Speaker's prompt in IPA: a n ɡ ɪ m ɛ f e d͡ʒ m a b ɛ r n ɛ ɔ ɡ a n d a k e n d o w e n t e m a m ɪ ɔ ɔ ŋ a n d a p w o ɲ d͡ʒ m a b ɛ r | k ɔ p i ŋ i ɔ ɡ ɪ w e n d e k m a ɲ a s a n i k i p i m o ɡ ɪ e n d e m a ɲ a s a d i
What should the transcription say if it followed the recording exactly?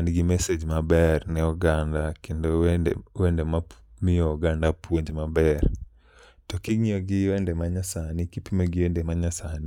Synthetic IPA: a n ɡ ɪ m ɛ s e d͡ʒ m a b ɛ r n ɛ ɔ ɡ a n d a k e n d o w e n d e m a m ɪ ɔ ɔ ɡ a n d a p w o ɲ d͡ʒ m a b ɛ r | t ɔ k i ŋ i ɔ ɡ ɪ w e n d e m a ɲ a s a n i k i p i m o ɡ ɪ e n d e m a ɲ a s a n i